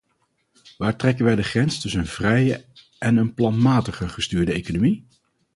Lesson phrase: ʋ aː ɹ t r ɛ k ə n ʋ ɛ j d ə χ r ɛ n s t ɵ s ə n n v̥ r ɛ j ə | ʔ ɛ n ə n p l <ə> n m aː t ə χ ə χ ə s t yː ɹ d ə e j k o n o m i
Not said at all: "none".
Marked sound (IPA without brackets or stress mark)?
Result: ɑ